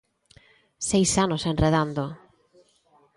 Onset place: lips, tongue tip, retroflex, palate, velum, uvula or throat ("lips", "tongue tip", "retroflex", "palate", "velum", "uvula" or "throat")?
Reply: tongue tip